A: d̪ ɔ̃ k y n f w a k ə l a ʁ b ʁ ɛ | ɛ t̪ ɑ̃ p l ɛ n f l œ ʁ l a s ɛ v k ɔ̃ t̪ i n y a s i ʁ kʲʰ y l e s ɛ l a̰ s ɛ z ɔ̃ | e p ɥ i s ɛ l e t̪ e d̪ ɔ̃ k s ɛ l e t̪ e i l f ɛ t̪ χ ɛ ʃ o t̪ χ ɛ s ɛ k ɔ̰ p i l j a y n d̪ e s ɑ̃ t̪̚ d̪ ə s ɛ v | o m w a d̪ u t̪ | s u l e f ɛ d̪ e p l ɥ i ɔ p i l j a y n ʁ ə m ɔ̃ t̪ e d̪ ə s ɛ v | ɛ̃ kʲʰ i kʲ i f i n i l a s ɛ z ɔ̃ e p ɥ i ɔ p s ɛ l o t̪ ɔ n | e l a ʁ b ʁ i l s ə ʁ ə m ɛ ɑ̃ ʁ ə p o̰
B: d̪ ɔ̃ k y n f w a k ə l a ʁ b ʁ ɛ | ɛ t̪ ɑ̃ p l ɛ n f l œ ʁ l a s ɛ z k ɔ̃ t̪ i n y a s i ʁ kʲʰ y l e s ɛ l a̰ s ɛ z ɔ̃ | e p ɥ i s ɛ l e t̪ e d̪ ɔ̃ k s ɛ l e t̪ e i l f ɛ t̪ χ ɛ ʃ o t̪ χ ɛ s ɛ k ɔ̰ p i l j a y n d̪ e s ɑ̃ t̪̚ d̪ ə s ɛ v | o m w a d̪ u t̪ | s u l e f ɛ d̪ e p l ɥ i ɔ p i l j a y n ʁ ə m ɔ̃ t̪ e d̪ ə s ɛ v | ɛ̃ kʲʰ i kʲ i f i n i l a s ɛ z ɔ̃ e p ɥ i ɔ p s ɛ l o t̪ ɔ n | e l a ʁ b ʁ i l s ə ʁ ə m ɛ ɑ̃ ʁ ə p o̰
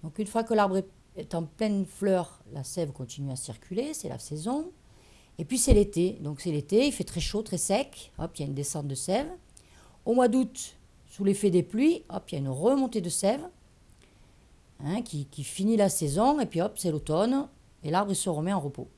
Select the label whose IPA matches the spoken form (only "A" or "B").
A